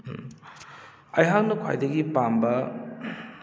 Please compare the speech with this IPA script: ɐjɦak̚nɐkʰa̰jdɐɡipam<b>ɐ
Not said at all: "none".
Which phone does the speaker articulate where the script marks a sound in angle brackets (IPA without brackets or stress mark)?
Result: b